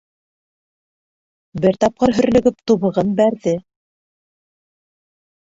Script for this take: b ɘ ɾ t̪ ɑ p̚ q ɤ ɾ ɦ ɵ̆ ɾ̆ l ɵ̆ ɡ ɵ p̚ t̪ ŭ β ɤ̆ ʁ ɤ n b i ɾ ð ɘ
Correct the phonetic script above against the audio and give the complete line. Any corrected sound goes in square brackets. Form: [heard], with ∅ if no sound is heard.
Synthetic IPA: b ɘ ɾ t̪ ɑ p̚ q ɤ ɾ ɦ ɵ̆ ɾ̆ l ɵ̆ ɡ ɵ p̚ t̪ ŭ β ɤ̆ ʁ ɤ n b [æ] ɾ ð ɘ